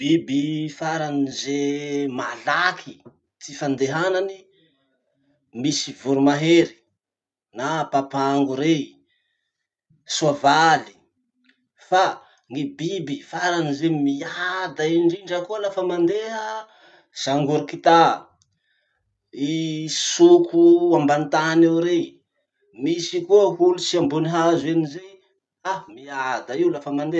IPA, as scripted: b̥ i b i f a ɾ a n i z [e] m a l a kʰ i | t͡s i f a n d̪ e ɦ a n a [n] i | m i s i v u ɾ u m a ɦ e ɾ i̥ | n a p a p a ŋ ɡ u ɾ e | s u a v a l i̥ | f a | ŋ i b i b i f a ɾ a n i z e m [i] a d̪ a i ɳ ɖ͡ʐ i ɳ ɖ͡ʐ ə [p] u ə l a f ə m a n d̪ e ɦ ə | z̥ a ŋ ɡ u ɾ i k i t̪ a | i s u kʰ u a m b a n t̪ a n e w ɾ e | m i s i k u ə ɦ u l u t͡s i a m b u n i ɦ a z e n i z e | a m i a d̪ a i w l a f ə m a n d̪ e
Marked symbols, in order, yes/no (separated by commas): yes, yes, yes, no